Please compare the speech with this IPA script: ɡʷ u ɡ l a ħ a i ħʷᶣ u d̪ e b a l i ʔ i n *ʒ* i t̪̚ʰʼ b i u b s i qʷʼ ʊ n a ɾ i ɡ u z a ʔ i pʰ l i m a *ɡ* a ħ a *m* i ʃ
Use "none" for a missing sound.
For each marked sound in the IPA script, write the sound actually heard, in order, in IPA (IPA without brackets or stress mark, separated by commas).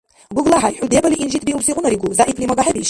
ʒ, ɡ, b